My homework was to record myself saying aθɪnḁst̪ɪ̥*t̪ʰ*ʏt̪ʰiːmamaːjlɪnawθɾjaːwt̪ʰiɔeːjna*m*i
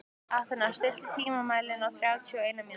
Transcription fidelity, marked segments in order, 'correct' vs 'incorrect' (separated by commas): incorrect, correct